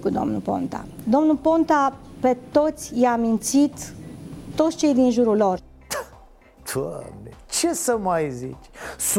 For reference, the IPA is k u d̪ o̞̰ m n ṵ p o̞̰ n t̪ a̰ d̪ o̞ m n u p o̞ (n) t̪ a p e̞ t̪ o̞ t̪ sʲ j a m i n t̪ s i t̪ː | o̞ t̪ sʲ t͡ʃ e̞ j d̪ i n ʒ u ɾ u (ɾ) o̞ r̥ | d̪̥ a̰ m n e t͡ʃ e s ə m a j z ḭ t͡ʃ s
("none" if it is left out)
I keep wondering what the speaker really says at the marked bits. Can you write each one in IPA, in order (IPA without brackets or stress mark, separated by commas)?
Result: n, l